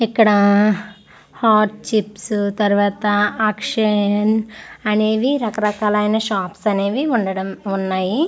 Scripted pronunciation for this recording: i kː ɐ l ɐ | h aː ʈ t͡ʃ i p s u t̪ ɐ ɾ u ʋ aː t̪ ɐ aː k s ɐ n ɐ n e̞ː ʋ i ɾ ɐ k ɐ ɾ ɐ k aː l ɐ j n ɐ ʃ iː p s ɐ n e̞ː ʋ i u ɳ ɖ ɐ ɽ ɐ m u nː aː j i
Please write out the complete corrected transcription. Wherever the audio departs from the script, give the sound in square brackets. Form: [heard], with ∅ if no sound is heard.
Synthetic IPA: i kː ɐ [ɽ] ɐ | h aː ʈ t͡ʃ i p s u t̪ ɐ ɾ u ʋ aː t̪ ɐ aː k [ʂ] ɐ n ɐ n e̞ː ʋ i ɾ ɐ k ɐ ɾ ɐ k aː l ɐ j n ɐ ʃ [aː] p s ɐ n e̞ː ʋ i u ɳ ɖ ɐ ɽ ɐ m u nː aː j i

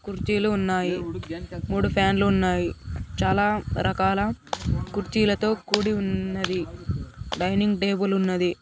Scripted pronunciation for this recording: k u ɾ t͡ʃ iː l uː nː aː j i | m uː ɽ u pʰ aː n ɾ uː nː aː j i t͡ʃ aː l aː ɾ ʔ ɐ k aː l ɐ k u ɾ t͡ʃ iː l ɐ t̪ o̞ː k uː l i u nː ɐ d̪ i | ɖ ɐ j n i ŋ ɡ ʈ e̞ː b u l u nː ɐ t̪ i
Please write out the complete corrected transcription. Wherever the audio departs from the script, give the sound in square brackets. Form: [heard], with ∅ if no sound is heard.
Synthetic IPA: k u ɾ t͡ʃ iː l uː nː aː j i | m uː ɽ u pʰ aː n [l] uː nː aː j i t͡ʃ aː l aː ɾ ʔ ɐ k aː l ɐ k u ɾ t͡ʃ iː l ɐ t̪ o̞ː k uː [ɽ] i u nː ɐ d̪ i | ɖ ɐ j n i ŋ ɡ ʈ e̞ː b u l u nː ɐ [d̪] i

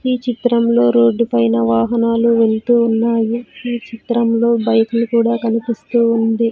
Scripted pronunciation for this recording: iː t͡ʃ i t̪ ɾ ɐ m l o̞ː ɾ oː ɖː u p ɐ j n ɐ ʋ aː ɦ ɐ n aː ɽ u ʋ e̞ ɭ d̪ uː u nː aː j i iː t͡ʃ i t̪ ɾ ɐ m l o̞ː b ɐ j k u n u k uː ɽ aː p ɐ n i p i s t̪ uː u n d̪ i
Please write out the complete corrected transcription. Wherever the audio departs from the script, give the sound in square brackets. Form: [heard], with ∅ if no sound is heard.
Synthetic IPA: iː t͡ʃ i t̪ ɾ ɐ m l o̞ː ɾ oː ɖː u p ɐ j n ɐ ʋ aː ɦ ɐ n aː [l] u ʋ e̞ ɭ [t̪] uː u nː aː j i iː t͡ʃ i t̪ ɾ ɐ m l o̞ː b ɐ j k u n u k uː ɽ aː [k] ɐ n i p i s t̪ uː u n d̪ i

